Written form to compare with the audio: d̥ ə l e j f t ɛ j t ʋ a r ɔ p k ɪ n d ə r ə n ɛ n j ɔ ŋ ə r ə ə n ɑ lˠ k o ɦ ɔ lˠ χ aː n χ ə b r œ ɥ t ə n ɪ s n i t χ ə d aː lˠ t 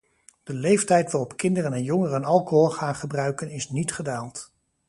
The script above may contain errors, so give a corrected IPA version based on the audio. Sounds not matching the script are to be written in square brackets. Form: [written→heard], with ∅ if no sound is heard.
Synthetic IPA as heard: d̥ ə l e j f t ɛ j t ʋ a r ɔ p k ɪ n d ə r ə n ɛ n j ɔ ŋ ə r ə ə n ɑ lˠ k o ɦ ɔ lˠ χ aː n χ ə b r œ ɥ [t→k] ə n ɪ s n i t χ ə d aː lˠ t